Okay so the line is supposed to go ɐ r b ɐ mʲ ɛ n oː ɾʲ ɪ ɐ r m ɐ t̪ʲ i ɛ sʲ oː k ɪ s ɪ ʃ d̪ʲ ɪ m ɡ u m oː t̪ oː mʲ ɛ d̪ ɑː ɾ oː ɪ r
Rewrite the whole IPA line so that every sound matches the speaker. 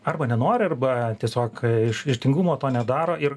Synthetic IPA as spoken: ɐ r b ɐ nʲ ɛ n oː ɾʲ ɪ ɐ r b ɐ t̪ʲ i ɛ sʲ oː k ɪ ʃ ɪ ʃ t̪ʲ ɪ ŋ ɡ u m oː t̪ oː nʲ ɛ d̪ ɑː ɾ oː ɪ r

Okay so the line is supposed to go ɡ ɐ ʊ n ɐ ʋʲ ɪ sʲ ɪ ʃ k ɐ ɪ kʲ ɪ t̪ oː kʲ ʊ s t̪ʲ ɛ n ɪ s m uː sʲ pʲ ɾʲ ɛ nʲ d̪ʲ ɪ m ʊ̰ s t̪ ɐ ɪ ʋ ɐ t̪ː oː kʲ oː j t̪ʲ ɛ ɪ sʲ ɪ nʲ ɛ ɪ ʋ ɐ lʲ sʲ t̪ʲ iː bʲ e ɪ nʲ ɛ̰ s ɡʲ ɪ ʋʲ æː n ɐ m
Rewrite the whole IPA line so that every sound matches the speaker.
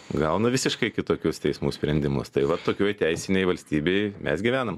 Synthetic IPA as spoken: ɡ ɐ ʊ n ɐ ʋʲ ɪ sʲ ɪ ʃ k ɐ ɪ kʲ ɪ t̪ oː kʲ ʊ s t̪ʲ ɛ ɪ s m uː sʲ pʲ ɾʲ ɛ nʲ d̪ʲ ɪ m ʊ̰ s t̪ ɐ ɪ ʋ ɐ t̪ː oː kʲ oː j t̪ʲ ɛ ɪ sʲ ɪ nʲ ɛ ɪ ʋ ɐ lʲ sʲ t̪ʲ iː bʲ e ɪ mʲ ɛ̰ s ɡʲ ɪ ʋʲ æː n ɐ m

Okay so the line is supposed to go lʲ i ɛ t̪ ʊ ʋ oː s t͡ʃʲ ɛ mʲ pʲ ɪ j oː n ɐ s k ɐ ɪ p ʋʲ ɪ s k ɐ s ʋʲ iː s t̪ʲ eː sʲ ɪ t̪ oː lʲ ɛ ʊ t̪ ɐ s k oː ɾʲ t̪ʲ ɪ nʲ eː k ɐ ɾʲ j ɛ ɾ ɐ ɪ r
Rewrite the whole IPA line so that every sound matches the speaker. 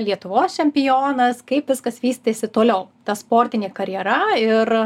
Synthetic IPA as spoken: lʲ i ɛ t̪ ʊ ʋ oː s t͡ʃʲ ɛ mʲ pʲ ɪ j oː n ɐ s k ɐ ɪ p ʋʲ ɪ s k ɐ s ʋʲ iː s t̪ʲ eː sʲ ɪ t̪ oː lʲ ɛ ʊ t̪ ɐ s p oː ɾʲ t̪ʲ ɪ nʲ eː k ɐ ɾʲ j ɛ ɾ ɐ ɪ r

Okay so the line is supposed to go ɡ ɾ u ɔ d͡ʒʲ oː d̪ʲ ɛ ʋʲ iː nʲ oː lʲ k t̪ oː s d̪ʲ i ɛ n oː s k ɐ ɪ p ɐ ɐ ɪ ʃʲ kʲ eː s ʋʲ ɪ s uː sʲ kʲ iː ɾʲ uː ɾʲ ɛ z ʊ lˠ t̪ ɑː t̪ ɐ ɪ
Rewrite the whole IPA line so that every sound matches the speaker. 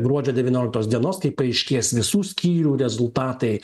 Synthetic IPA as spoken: ɡ ɾ u ɔ d͡ʒʲ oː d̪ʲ ɛ ʋʲ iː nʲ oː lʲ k t̪ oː s d̪ʲ i ɛ n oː s k ɐ ɪ p ɐ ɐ ɪ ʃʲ kʲ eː s ʋʲ ɪ s uː sʲ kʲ iː ɾʲ uː ɾʲ ɛ z ʊ lˠ t̪ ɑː t̪ ɐ ɪ

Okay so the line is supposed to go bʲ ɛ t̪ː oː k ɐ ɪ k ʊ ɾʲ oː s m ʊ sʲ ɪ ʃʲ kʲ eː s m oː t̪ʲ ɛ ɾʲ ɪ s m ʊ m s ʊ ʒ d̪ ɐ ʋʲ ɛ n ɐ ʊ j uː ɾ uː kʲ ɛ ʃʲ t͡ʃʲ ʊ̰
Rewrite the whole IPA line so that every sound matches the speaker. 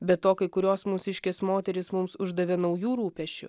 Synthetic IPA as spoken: bʲ ɛ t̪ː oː k ɐ ɪ k ʊ ɾʲ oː s m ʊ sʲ ɪ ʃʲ kʲ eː s m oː t̪ʲ ɛ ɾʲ ɪ s m ʊ m s ʊ ʒ d̪ ɐ ʋʲ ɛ n ɐ ʊ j uː ɾ uː pʲ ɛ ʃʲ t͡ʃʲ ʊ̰

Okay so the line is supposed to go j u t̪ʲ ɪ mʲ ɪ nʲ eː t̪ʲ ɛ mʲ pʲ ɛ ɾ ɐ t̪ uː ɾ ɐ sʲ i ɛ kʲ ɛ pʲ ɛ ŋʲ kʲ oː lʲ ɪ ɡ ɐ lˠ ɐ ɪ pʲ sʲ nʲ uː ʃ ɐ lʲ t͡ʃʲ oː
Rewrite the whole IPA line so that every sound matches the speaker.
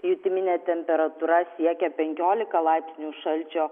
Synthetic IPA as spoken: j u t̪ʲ ɪ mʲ ɪ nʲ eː t̪ʲ ɛ mʲ pʲ ɛ ɾ ɐ t̪ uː ɾ ɐ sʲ i ɛ kʲ ɛ pʲ ɛ ŋʲ kʲ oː lʲ ɪ k ɐ lˠ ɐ ɪ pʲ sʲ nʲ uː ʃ ɐ lʲ t͡ʃʲ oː

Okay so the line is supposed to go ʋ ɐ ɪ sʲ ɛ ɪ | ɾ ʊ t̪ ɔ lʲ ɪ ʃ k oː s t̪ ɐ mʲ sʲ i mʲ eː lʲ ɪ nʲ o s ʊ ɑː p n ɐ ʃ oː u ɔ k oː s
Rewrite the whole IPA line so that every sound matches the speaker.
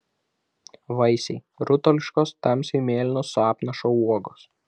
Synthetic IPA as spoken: ʋ ɐ ɪ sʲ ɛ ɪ | ɾ ʊ t̪ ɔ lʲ ɪ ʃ k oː s t̪ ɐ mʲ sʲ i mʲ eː lʲ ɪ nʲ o s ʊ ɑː p n ɐ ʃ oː u ɔ ɡ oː s

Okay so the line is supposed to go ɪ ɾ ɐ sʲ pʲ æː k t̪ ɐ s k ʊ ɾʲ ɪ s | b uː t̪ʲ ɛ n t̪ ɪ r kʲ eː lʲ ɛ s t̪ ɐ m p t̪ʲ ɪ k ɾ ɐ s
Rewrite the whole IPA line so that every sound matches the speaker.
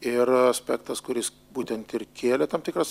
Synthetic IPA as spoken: ɪ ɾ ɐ sʲ pʲ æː k t̪ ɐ s k ʊ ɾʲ ɪ s | b uː t̪ʲ ɛ n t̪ ɪ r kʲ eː lʲ ɛ t̪ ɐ m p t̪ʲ ɪ k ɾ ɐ s

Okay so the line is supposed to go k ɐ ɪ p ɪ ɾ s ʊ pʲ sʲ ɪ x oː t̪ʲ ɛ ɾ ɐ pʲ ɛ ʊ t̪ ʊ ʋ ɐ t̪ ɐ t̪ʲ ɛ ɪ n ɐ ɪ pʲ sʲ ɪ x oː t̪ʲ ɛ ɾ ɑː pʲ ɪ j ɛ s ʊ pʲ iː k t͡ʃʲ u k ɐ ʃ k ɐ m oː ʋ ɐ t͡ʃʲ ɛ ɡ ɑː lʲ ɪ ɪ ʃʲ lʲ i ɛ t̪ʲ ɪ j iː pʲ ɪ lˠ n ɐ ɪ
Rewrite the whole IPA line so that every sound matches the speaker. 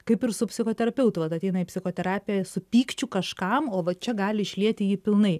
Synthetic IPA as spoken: k ɐ ɪ p ɪ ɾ s ʊ pʲ sʲ ɪ x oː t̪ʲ ɛ ɾ ɐ pʲ ɛ ʊ t̪ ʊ ʋ ɐ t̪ ɐ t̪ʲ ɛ ɪ n ɐ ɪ pʲ sʲ ɪ x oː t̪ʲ ɛ ɾ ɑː pʲ ɪ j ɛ s ʊ pʲ iː k t͡ʃʲ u k ɐ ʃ k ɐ m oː ʋ ɐ t͡ʃʲ ɛ ɡ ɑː lʲ ɪ ɪ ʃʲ lʲ i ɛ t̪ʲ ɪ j iː pʲ ɪ lˠ n ɐ ɪ

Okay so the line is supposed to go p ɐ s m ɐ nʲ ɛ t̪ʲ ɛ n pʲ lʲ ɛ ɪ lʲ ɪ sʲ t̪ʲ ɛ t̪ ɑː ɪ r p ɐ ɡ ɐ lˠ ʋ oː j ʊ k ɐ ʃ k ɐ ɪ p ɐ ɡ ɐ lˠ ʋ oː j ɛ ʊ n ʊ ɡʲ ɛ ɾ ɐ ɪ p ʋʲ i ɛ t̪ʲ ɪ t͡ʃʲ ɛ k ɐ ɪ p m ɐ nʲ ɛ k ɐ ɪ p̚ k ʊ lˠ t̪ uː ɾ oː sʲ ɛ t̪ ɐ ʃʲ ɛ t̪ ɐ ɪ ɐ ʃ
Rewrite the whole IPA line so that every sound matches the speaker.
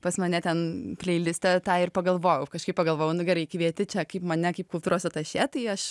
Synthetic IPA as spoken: p ɐ s m ɐ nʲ ɛ t̪ʲ ɛ n pʲ lʲ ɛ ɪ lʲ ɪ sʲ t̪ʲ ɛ t̪ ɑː ɪ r p ɐ ɡ ɐ lˠ ʋ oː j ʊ k ɐ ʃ k ɐ ɪ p ɐ ɡ ɐ lˠ ʋ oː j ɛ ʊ n ʊ ɡʲ ɛ ɾ ɐ ɪ k ʋʲ i ɛ t̪ʲ ɪ t͡ʃʲ ɛ k ɐ ɪ p m ɐ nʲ ɛ k ɐ ɪ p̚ k ʊ lˠ t̪ uː ɾ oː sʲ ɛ t̪ ɐ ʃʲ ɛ t̪ ɐ ɪ ɐ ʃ

